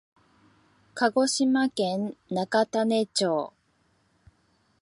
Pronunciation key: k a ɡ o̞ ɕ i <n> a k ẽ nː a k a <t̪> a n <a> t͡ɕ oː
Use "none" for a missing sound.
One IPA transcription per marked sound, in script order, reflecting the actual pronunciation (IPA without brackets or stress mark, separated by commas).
m, t̪, e